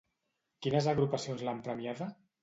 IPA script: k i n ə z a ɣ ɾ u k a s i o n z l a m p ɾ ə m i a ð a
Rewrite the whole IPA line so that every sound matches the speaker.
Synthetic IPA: k i n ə z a ɣ ɾ u p a s i o n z l a m p ɾ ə m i a ð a